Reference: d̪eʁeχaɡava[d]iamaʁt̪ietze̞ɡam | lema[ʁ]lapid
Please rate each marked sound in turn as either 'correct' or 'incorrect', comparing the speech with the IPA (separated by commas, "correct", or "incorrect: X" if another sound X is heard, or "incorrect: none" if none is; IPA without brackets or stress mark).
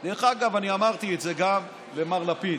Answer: incorrect: n, correct